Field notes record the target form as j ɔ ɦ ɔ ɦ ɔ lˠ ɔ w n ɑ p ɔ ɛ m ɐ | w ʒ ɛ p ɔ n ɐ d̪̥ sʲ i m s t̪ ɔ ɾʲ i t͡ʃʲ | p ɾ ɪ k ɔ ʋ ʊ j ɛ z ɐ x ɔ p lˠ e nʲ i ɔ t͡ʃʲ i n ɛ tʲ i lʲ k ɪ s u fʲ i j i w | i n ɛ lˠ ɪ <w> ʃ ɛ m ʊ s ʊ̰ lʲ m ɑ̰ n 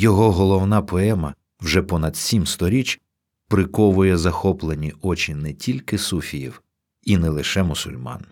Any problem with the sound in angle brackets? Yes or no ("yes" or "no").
yes